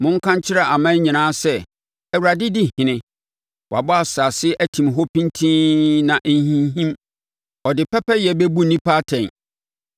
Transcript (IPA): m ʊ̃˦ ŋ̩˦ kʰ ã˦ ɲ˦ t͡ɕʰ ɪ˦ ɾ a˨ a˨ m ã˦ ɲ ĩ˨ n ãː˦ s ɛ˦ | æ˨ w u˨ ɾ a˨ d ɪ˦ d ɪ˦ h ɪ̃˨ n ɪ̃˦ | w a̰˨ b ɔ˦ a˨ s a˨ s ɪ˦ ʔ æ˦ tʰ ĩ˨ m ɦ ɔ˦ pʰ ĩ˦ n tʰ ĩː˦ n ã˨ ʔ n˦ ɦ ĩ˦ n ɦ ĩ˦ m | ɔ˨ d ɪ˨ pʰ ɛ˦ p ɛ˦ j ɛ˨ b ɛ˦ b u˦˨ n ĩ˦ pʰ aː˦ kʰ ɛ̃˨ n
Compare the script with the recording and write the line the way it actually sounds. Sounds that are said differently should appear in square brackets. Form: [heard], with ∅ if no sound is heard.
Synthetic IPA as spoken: m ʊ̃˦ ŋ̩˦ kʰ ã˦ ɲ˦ t͡ɕʰ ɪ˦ ɾ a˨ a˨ m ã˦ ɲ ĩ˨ n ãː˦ s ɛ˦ | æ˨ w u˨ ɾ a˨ d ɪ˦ d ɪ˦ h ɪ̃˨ n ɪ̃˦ | w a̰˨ b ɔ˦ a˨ s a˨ s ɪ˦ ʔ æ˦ tʰ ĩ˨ m ɦ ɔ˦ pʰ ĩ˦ n tʰ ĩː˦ n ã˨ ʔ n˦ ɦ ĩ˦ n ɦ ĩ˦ m | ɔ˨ d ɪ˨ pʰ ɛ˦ p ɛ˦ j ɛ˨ b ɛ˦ b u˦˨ n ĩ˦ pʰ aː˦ [tʰ] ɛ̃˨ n